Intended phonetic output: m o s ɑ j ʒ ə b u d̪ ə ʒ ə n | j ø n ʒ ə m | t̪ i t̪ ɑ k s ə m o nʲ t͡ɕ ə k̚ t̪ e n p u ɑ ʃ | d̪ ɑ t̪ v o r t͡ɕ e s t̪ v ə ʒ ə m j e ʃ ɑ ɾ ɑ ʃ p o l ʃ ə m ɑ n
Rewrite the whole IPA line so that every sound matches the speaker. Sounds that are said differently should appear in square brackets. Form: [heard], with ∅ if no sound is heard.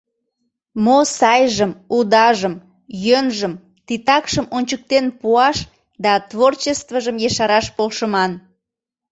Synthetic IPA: m o s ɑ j ʒ ə [m] u d̪ [ɑ] ʒ ə [m] | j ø n ʒ ə m | t̪ i t̪ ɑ k [ʃ] ə m o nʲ t͡ɕ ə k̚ t̪ e n p u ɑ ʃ | d̪ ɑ t̪ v o r t͡ɕ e s t̪ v ə ʒ ə m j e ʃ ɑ ɾ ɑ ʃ p o l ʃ ə m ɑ n